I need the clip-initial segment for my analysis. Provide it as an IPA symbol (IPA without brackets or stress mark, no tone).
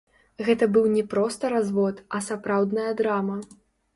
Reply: ɣ